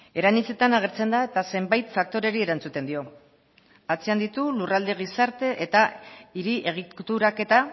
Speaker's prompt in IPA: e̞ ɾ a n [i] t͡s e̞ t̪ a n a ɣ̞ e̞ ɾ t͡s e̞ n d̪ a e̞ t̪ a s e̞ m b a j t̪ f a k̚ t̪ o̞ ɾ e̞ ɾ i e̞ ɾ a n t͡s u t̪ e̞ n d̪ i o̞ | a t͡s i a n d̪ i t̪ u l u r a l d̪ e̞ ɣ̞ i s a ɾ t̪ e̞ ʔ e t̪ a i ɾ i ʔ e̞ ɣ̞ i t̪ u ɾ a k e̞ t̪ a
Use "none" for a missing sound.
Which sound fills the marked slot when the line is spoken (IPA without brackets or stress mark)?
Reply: i